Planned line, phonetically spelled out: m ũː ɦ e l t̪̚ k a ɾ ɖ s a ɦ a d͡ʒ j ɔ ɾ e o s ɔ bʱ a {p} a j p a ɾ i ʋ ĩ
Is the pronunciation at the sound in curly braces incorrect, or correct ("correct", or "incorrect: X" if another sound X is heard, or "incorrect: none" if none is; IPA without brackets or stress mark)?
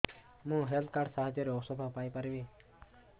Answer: correct